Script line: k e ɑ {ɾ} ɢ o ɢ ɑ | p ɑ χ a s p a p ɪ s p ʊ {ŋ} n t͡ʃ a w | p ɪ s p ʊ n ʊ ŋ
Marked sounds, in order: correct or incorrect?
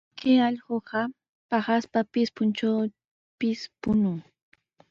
incorrect, incorrect

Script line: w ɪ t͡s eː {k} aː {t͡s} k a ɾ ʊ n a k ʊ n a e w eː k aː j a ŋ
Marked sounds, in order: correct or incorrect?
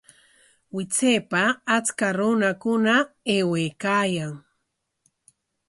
incorrect, correct

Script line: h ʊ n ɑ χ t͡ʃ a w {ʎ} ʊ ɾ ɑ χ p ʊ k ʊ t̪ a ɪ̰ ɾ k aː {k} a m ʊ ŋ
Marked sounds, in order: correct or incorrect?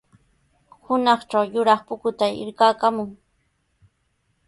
incorrect, correct

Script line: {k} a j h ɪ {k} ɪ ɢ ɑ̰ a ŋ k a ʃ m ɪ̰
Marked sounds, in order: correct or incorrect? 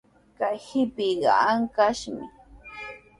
correct, incorrect

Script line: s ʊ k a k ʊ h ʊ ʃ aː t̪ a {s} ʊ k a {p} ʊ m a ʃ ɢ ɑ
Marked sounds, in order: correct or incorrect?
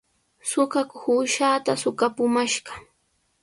correct, correct

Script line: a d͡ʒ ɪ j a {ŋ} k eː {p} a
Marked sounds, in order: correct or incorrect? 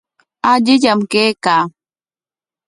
incorrect, incorrect

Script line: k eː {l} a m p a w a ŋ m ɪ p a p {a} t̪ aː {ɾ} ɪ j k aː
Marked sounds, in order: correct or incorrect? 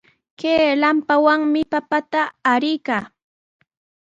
correct, correct, correct

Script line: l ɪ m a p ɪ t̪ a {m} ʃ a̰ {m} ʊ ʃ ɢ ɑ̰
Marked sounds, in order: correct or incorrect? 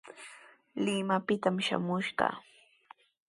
correct, correct

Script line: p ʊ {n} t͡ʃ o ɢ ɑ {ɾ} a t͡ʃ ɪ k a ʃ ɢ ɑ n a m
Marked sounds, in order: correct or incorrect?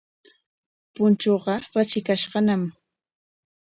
correct, correct

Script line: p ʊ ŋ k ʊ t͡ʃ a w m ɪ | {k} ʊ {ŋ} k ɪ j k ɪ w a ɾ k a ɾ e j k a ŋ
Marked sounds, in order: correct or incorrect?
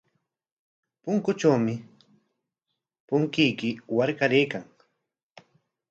incorrect, correct

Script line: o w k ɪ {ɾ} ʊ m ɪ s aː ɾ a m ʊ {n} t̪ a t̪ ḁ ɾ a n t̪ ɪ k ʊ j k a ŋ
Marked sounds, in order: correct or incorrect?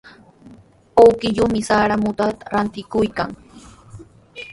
incorrect, incorrect

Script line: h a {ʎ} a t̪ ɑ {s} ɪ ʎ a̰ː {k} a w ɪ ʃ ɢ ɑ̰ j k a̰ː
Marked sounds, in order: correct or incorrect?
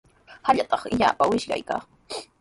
correct, incorrect, incorrect

